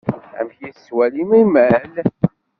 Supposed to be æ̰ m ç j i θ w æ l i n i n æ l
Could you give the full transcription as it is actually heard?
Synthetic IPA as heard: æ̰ m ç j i s w æ l i m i m æ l